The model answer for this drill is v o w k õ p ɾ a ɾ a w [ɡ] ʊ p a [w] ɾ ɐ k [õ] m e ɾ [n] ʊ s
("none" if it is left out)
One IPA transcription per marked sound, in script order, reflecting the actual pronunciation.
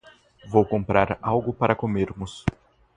ɡ, none, o, m

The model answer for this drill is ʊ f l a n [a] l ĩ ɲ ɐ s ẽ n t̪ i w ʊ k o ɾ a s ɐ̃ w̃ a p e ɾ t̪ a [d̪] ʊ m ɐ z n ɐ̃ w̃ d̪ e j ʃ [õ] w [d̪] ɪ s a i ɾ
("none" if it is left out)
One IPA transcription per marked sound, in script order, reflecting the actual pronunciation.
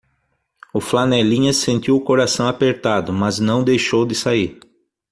ɛ, d̪, o, d̪

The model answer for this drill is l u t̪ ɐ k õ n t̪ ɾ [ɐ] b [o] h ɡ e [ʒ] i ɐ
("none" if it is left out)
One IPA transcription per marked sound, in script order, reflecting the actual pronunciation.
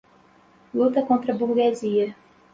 ɐ, u, z

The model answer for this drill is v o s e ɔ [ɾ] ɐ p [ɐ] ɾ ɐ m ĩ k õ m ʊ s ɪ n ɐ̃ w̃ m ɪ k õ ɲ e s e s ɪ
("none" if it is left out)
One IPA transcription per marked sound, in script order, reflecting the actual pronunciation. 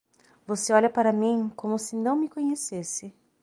ʎ, a

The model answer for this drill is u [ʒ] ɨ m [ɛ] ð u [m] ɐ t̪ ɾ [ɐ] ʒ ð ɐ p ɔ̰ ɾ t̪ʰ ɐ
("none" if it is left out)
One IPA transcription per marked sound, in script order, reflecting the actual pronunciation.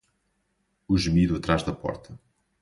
ʒ, i, none, a

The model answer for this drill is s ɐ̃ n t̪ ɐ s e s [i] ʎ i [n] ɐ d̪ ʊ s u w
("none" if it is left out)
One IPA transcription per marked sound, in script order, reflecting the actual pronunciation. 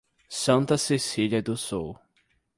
i, none

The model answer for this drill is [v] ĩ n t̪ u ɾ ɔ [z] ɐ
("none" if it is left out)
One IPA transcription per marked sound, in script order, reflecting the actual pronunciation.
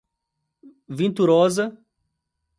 v, z

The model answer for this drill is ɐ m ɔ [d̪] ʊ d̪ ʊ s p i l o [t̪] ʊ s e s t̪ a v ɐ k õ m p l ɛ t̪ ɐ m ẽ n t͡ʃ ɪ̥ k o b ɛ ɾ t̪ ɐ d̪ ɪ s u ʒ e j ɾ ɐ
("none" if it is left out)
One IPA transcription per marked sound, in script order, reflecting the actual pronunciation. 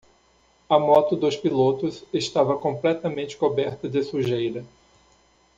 t̪, t̪

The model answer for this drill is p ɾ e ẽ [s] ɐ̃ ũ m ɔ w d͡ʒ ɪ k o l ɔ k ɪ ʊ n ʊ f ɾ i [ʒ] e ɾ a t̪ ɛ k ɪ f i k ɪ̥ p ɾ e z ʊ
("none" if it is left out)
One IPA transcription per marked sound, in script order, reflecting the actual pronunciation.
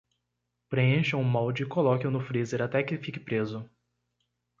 ʃ, z

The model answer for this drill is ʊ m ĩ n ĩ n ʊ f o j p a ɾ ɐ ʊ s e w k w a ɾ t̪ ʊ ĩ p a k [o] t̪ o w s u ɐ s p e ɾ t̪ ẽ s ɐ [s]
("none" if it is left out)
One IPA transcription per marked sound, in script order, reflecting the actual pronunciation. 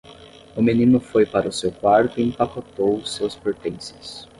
o, s

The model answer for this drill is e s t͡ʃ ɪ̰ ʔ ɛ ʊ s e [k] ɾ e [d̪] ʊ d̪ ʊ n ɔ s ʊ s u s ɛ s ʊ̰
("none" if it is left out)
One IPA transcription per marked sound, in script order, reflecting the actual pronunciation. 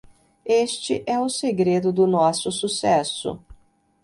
ɡ, d̪

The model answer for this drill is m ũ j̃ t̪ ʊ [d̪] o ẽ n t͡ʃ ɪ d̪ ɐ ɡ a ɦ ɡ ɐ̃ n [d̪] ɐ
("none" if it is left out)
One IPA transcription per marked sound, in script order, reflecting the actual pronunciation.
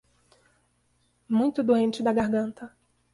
d̪, t̪

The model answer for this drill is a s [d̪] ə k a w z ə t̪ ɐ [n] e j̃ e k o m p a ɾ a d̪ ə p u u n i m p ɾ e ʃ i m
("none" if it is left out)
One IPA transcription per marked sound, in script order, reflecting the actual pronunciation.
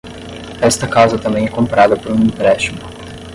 t̪, m

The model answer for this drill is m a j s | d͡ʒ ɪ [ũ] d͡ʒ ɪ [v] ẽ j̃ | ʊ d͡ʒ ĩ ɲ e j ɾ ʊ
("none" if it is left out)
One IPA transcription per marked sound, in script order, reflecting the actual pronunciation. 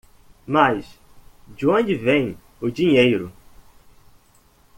õ, v

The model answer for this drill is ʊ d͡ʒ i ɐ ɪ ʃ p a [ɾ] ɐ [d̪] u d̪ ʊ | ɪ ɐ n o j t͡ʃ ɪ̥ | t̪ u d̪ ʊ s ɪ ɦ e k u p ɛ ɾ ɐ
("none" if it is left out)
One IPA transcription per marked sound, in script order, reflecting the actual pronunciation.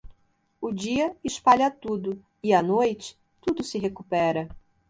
ʎ, t̪

